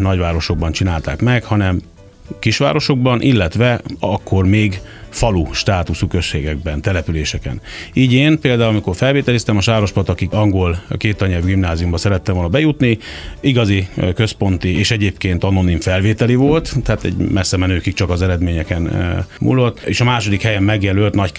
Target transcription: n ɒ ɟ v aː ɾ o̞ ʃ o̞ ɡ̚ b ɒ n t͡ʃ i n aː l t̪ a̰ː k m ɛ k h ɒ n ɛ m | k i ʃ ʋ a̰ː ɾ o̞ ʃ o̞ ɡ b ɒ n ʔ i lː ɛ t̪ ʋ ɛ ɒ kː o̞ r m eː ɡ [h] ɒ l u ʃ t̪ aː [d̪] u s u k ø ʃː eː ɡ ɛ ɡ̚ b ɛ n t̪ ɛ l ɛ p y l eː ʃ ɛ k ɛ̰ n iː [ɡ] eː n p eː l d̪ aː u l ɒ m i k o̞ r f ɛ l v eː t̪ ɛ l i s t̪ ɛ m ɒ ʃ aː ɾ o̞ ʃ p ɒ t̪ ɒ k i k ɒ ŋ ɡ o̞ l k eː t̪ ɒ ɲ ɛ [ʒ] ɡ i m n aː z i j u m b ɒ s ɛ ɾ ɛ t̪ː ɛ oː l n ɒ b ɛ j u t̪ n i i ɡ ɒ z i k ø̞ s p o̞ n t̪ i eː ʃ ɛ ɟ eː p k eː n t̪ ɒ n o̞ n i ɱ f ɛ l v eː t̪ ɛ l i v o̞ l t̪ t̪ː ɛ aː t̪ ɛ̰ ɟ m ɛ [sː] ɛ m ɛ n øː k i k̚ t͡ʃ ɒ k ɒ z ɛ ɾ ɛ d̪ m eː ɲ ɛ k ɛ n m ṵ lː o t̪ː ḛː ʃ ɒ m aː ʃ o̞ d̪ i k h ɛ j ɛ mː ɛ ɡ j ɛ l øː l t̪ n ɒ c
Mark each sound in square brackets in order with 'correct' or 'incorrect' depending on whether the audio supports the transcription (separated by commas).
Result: incorrect, incorrect, incorrect, incorrect, correct